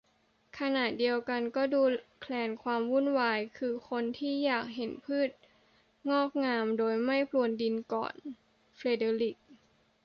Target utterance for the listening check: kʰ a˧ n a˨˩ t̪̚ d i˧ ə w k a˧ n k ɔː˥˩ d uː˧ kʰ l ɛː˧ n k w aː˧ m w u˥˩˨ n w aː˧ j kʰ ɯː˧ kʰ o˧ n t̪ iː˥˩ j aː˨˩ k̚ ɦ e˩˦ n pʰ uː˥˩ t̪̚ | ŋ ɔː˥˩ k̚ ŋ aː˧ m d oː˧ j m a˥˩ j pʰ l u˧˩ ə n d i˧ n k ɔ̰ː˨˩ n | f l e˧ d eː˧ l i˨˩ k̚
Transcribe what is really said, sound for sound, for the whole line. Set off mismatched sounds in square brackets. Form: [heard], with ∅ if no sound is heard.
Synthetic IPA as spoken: kʰ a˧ n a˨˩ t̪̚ d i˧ ə w k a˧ n k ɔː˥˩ d uː˧ kʰ l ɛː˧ n [kʰ] w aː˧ m w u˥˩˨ n w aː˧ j kʰ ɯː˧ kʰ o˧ n [t̪ʰ] iː˥˩ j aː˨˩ k̚ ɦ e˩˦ n pʰ [ɯː˥˩] t̪̚ | ŋ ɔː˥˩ k̚ ŋ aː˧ m d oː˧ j m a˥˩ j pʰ l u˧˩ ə n d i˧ n k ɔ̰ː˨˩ n | f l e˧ d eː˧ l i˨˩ k̚